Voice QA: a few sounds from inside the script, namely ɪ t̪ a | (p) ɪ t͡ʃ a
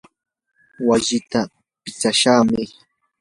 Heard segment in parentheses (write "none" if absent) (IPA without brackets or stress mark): p